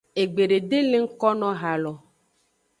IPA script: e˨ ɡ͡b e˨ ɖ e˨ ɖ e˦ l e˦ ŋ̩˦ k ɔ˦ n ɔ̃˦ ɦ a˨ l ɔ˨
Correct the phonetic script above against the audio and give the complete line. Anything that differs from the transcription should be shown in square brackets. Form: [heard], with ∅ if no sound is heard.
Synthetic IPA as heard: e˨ ɡ͡b e˨ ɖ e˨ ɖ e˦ l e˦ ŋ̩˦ k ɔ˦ n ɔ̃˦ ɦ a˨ l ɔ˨